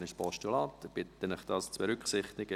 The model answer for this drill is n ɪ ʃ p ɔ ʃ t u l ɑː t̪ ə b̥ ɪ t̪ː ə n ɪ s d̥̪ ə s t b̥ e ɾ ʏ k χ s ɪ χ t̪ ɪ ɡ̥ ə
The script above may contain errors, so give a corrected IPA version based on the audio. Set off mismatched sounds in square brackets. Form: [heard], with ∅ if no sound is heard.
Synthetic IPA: n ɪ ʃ p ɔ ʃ t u l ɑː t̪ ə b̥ ɪ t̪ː ə n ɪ [χ] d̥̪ [ɑ] s [t͡s] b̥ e ɾ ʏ k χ s ɪ χ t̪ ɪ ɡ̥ ə